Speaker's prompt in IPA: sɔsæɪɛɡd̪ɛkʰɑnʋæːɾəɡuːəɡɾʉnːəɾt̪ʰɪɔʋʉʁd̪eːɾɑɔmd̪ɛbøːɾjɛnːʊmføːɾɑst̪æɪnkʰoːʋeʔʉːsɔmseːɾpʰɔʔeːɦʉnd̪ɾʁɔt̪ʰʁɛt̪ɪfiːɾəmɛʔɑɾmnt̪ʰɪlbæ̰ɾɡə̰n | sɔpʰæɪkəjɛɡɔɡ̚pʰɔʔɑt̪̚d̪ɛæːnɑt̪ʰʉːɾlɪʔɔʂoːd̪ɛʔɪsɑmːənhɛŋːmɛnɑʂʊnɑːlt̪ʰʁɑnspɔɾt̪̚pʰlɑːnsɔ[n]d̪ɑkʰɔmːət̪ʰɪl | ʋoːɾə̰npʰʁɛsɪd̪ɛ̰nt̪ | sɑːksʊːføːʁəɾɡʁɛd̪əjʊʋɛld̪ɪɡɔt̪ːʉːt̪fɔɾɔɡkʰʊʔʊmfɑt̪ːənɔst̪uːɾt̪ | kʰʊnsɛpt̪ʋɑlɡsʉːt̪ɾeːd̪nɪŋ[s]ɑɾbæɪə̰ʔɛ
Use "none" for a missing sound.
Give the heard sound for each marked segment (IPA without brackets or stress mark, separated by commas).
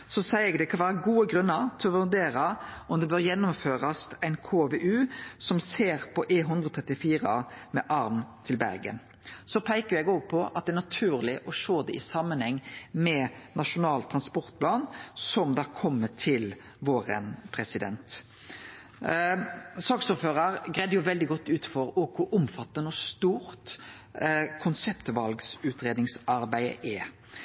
m, s